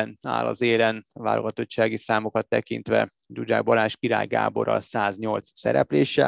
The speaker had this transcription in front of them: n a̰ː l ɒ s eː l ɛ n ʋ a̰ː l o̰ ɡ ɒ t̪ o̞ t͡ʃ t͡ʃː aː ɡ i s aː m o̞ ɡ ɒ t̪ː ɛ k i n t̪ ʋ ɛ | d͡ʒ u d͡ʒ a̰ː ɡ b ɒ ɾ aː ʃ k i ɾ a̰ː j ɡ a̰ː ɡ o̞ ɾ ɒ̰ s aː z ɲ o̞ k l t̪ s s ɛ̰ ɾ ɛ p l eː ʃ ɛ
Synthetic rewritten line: n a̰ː l ɒ z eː l ɛ n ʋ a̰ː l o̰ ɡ ɒ t̪ o̞ t͡ʃ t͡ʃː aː ɡ i s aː m o̞ k ɒ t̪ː ɛ k i n t̪ ʋ ɛ | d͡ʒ u d͡ʒ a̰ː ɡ b ɒ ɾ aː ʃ k i ɾ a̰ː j ɡ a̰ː b o̞ ɾ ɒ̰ s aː z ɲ o̞ l t̪ s s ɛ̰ ɾ ɛ p l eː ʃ ɛ